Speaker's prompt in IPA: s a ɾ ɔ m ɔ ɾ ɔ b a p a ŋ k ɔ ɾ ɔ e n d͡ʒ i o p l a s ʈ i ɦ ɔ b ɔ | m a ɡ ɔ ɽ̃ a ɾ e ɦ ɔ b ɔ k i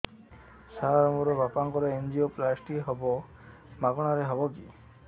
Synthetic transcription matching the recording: s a ɾ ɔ m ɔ ɾ ɔ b a p a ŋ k ɔ ɾ ɔ e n d͡ʒ i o p l a s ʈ i ɦ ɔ b ɔ | m a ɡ ɔ ɽ̃ a ɾ e ɦ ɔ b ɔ k i